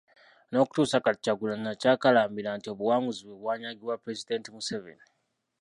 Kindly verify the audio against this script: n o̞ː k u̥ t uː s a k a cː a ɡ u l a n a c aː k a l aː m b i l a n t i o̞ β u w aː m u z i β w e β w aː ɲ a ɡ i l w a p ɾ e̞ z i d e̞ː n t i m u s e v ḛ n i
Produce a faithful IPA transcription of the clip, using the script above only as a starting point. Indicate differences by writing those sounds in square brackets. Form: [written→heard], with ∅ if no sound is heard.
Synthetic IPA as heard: n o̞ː k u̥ t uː s a k a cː a ɡ u l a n a c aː k a l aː m b i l a n t i o̞ β u w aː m u z i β w e β w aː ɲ a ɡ i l w a p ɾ e̞ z i d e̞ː n t i m u s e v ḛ n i